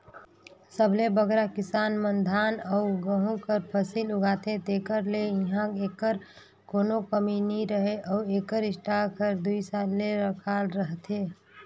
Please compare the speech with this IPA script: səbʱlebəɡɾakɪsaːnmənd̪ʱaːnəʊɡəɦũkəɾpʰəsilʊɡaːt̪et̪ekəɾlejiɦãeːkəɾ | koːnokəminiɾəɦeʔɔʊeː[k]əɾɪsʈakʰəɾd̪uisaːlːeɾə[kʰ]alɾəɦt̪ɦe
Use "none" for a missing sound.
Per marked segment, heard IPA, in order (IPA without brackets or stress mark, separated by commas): k, kʰ